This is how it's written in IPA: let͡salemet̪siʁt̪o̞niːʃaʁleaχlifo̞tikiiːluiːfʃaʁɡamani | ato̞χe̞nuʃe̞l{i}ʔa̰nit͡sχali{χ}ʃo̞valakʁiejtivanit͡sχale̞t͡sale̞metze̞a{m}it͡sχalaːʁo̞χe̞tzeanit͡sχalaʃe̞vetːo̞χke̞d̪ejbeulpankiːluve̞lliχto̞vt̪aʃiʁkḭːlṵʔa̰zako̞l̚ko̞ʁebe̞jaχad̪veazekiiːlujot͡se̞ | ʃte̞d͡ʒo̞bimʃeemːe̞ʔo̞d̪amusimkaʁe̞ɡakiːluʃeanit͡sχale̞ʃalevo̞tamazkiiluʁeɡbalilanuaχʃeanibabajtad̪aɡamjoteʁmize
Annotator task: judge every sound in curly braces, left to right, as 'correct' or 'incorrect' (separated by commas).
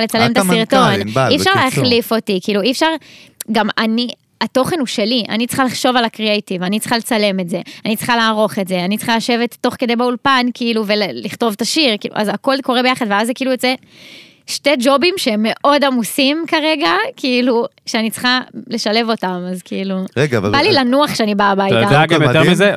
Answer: correct, correct, incorrect